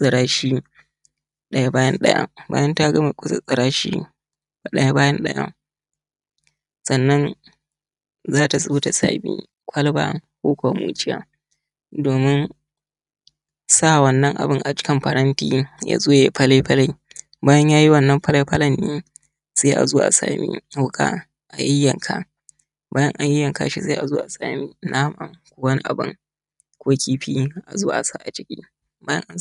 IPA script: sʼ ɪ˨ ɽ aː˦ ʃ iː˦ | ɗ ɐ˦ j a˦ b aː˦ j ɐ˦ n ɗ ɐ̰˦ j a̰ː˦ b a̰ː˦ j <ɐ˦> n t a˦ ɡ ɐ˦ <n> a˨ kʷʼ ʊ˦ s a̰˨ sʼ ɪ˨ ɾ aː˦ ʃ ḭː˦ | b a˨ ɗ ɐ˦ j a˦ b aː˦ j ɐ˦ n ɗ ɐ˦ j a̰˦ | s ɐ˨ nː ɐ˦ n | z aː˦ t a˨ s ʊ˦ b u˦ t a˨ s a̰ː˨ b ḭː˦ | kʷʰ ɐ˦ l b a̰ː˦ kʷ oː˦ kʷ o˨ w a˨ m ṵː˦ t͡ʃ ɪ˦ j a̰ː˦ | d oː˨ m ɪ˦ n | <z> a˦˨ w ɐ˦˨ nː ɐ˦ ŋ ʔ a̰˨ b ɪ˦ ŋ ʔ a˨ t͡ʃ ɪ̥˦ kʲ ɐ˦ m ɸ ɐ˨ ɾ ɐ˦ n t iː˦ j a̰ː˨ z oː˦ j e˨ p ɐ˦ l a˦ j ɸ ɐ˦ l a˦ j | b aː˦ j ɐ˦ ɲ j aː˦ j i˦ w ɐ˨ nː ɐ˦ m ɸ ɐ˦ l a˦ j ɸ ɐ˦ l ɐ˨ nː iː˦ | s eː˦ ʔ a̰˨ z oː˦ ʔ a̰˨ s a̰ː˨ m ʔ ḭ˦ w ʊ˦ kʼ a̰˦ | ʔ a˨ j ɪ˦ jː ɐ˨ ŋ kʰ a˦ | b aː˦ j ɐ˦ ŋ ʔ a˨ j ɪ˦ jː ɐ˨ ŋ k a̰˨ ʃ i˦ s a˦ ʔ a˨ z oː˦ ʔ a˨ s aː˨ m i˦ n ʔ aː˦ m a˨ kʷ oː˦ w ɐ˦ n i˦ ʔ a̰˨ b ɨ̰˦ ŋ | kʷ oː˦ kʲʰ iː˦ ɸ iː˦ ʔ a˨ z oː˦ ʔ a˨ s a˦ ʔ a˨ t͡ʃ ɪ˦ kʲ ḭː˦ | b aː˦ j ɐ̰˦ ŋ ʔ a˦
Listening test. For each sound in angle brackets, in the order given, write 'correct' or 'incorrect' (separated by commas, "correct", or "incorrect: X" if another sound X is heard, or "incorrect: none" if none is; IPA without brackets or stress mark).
correct, incorrect: m, incorrect: s